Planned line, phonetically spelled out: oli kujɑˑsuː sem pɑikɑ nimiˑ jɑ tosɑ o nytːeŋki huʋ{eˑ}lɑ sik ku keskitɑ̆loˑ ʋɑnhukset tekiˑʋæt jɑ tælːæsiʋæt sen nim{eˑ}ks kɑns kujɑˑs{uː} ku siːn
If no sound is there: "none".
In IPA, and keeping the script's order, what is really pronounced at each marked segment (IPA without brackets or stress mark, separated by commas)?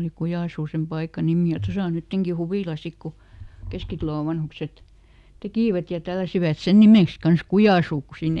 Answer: iˑ, eˑ, uː